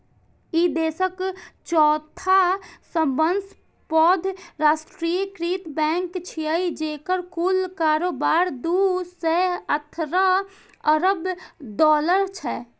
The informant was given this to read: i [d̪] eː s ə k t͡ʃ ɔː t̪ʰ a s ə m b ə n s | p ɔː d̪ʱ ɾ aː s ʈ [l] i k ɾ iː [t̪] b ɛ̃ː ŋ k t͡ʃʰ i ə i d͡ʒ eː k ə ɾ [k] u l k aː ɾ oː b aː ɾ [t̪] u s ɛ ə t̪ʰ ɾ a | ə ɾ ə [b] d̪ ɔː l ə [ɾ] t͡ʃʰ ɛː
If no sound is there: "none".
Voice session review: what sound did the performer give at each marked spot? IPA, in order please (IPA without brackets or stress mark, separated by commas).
d̪, ɾ, t̪, k, d̪, b, ɾ